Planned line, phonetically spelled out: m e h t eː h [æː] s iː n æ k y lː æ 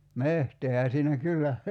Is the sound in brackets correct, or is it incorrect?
incorrect